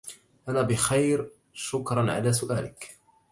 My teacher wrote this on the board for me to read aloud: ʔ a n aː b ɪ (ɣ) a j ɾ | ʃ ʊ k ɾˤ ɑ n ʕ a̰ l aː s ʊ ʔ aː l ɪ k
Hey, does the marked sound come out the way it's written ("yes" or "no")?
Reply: no